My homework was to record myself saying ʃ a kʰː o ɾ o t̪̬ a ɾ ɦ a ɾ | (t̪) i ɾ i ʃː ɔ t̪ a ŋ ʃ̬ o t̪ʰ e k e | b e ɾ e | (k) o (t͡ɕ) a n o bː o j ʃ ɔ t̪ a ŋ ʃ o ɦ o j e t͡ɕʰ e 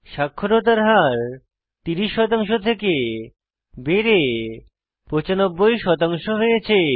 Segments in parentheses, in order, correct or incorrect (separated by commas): correct, incorrect, correct